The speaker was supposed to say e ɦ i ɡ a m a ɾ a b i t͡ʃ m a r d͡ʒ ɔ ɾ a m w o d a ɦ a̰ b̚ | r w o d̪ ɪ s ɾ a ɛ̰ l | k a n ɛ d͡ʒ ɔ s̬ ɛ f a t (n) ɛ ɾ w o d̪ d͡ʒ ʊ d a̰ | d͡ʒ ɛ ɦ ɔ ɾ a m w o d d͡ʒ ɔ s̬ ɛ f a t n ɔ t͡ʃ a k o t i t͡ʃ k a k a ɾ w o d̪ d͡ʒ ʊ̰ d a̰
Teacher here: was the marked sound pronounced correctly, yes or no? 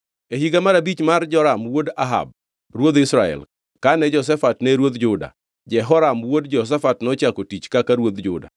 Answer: yes